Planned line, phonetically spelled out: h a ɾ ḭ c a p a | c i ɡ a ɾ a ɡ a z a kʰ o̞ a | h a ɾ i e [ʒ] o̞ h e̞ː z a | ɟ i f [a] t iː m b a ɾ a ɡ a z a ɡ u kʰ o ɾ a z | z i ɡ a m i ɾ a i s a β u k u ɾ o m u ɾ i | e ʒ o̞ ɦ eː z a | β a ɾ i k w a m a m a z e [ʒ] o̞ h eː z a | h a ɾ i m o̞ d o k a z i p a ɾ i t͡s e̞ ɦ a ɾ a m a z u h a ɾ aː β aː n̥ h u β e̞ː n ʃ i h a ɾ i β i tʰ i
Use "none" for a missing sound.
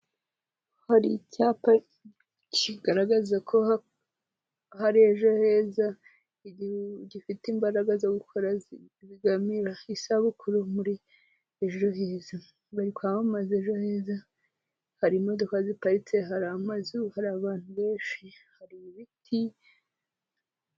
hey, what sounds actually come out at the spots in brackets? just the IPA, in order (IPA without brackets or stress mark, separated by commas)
ʒ, i, ʒ